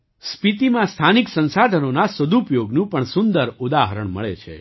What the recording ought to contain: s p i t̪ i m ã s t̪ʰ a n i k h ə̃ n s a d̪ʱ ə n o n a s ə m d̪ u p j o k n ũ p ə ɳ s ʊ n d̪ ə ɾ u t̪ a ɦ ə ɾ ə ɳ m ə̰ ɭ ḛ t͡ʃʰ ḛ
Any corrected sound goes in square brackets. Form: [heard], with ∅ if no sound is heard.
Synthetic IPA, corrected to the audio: s p i t̪ i m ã s t̪ʰ a n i k [s] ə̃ n s a d̪ʱ ə n o n a s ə [∅] d̪ u p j o [ɡ] n ũ p ə ɳ s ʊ n d̪ ə ɾ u [d̪] a ɦ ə ɾ ə ɳ m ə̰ ɭ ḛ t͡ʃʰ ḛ